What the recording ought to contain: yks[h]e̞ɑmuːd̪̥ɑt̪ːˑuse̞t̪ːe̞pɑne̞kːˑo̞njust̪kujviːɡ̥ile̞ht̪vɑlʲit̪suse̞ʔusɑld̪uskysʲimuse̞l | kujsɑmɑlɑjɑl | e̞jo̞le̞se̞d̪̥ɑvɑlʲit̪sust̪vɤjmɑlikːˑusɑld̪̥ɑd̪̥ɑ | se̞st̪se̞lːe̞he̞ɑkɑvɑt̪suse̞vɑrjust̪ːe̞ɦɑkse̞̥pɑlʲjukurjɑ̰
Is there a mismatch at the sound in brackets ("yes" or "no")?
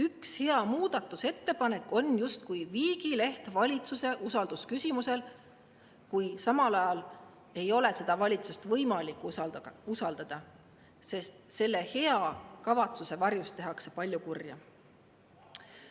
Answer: no